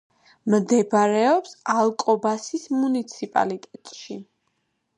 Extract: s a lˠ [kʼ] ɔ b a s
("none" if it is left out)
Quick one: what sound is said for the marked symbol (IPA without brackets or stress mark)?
kʼ